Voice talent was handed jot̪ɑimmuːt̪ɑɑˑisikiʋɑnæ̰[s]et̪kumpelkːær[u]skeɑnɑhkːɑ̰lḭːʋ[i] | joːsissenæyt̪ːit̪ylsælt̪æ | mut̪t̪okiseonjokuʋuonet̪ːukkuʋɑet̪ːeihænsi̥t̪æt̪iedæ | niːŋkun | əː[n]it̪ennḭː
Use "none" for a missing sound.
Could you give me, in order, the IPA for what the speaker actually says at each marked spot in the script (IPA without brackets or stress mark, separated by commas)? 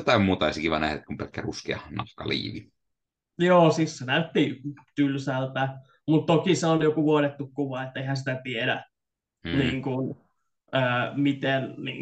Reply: h, u, i, m